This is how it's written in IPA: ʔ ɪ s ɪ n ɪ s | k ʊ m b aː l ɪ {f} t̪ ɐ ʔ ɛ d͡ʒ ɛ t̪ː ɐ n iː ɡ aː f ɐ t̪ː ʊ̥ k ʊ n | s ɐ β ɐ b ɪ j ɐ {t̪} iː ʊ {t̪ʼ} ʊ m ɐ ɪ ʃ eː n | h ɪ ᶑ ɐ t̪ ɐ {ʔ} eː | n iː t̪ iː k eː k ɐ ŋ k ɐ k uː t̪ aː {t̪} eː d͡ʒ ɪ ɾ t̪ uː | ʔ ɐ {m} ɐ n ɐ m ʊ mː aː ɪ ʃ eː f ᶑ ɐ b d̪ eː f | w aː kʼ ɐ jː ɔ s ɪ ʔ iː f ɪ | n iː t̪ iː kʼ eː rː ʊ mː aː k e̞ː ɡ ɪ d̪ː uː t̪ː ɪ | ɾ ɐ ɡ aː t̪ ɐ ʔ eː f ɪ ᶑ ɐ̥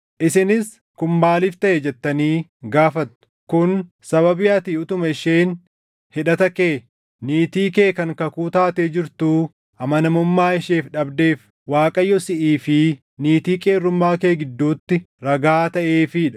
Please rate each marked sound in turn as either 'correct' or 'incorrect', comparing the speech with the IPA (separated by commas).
correct, correct, incorrect, incorrect, correct, correct